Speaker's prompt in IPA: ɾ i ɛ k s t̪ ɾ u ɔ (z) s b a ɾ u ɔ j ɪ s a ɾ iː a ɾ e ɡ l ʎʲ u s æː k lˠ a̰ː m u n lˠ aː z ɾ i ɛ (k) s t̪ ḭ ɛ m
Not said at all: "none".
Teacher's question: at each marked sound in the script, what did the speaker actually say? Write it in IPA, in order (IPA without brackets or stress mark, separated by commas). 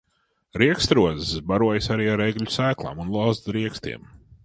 z, k